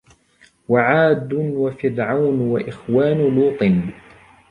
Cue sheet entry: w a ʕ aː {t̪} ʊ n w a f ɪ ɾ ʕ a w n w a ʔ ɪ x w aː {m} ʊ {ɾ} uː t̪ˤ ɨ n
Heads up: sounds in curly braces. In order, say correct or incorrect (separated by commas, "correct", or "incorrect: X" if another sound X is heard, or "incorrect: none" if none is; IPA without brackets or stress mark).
incorrect: d̪, incorrect: n, incorrect: l